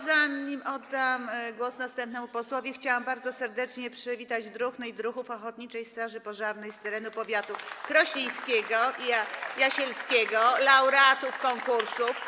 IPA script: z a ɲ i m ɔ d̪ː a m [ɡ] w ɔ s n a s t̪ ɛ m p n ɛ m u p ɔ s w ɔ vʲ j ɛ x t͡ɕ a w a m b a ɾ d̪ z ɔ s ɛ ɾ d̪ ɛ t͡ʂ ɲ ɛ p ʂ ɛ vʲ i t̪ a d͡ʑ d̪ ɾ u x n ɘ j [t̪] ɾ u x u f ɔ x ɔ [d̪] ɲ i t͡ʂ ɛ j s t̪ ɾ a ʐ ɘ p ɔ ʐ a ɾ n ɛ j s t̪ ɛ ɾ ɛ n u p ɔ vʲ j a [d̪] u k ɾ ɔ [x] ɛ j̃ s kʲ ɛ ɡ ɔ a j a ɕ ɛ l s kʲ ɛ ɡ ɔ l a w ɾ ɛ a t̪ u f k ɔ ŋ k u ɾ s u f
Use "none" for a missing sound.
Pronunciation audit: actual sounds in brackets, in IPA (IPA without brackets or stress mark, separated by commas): ɡ, d̪, t̪, t̪, ɕ